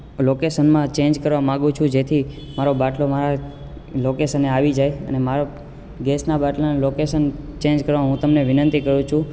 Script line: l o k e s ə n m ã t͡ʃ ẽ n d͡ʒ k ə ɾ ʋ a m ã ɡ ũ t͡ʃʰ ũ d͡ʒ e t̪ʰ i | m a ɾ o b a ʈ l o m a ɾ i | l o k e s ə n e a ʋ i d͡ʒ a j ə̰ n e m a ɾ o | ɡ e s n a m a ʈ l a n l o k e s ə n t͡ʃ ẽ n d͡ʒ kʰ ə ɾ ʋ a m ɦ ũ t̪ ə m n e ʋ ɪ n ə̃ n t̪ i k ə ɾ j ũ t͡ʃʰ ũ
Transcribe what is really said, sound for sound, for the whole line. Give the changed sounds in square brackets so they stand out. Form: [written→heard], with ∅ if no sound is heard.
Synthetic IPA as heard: l o k e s ə n m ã t͡ʃ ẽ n d͡ʒ k ə ɾ ʋ a m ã ɡ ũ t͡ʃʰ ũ d͡ʒ e t̪ʰ i | m a ɾ o b a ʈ l o m a ɾ [i→a] | l o k e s ə n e a ʋ i d͡ʒ a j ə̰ n e m a ɾ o | ɡ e s n a [m→b] a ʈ l a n l o k e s ə n t͡ʃ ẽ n d͡ʒ [kʰ→k] ə ɾ ʋ a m ɦ ũ t̪ ə m n e ʋ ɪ n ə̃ n t̪ i k ə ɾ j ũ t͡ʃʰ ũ